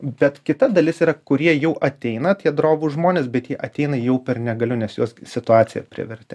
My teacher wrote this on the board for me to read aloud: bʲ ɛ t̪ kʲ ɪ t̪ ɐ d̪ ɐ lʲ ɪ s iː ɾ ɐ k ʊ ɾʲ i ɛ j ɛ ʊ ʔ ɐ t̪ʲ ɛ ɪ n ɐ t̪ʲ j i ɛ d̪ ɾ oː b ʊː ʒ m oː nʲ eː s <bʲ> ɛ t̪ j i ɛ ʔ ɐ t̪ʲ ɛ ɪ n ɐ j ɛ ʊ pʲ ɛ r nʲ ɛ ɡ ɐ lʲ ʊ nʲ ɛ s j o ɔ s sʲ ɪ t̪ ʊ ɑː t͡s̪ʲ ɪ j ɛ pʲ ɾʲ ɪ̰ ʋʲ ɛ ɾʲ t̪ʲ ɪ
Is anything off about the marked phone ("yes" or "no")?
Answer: no